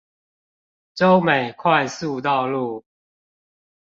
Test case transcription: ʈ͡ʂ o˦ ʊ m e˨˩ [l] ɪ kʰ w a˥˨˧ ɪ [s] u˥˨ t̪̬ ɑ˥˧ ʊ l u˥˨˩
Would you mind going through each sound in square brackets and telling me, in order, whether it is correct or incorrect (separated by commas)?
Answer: incorrect, correct